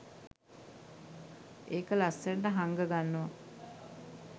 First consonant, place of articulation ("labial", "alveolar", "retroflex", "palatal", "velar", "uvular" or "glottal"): velar